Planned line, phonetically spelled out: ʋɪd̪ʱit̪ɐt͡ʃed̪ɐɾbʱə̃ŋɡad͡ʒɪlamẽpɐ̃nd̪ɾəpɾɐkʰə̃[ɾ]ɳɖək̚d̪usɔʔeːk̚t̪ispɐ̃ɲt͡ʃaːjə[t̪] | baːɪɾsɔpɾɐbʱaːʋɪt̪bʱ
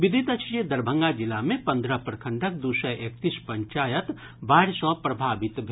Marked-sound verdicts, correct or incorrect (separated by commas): incorrect, correct